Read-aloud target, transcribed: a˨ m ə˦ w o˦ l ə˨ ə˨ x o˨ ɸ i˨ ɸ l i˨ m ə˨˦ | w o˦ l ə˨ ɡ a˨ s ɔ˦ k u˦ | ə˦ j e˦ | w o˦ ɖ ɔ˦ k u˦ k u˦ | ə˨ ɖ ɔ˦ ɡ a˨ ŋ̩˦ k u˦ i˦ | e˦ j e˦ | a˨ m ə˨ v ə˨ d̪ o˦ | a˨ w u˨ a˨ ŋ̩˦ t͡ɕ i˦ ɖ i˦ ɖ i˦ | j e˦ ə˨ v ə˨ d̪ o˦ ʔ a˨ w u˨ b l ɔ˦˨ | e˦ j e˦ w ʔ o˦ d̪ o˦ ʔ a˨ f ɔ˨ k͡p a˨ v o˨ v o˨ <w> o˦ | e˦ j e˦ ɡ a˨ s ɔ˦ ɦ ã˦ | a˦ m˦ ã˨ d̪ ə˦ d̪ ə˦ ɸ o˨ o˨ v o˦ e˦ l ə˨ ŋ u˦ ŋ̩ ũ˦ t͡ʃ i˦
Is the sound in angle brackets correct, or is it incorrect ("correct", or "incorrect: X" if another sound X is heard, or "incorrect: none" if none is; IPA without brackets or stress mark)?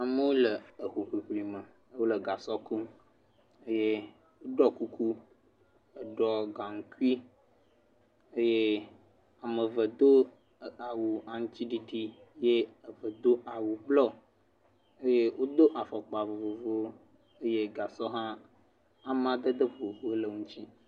incorrect: v